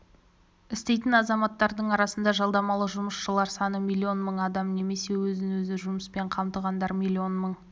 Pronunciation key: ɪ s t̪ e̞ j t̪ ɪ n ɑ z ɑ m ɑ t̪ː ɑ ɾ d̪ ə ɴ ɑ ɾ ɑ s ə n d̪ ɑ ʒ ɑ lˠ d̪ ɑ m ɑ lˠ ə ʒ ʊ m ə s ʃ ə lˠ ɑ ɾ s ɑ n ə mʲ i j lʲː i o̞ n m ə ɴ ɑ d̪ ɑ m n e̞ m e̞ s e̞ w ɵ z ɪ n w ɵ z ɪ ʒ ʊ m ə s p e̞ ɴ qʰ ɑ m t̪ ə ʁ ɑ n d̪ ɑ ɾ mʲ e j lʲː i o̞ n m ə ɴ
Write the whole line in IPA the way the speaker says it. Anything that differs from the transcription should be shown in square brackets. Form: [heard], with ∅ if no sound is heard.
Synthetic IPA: ɪ s t̪ e̞ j t̪ ɪ n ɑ z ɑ m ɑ t̪ː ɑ ɾ d̪ ə ɴ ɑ ɾ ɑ s ə n d̪ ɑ ʒ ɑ lˠ d̪ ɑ m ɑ lˠ ə ʒ ʊ m ə s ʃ ə lˠ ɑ ɾ s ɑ n ə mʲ i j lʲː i o̞ n m ə ɴ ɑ d̪ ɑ m n e̞ m e̞ s e̞ w ɵ z ɪ n w ɵ z ɪ ʒ ʊ m ə s p e̞ ɴ qʰ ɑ m t̪ ə ʁ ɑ n d̪ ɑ ɾ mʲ [i] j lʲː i o̞ n m ə ɴ